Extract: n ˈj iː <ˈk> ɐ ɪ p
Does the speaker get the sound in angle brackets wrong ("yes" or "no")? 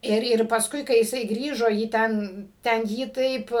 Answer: yes